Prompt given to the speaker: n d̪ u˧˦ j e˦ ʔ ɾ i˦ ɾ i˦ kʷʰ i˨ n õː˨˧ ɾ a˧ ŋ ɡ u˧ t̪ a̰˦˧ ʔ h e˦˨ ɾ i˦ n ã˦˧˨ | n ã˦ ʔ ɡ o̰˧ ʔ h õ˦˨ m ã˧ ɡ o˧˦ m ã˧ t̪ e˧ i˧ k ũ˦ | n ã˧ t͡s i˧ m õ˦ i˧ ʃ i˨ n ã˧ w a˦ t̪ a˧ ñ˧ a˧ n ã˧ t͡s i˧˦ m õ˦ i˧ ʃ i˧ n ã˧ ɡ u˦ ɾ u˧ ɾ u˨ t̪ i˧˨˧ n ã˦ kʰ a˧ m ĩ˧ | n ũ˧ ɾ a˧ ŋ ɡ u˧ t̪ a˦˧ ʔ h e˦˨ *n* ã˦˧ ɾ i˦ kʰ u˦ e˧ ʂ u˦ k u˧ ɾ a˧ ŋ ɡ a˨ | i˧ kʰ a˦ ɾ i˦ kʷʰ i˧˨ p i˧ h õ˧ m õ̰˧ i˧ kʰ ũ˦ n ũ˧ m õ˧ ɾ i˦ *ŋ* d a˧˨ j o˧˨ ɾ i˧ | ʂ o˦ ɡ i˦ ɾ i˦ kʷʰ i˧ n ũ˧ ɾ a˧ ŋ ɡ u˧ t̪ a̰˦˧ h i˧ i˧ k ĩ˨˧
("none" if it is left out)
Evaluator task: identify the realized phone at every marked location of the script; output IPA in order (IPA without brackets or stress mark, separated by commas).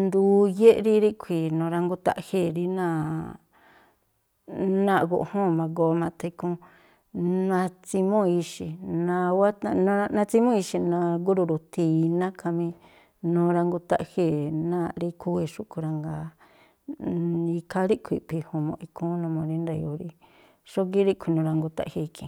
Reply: n, n